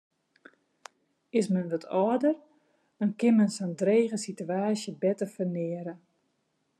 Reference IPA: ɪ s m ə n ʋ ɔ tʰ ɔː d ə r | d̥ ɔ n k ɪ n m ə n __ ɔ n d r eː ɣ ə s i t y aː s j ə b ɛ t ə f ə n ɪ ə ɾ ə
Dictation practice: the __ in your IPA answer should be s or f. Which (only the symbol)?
s